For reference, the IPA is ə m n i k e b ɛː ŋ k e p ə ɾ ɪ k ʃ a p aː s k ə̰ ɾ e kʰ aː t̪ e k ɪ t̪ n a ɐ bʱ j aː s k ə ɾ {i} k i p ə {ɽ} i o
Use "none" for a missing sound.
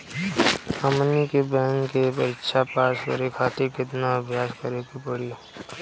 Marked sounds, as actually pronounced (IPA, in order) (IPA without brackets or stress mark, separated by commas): e, ɽ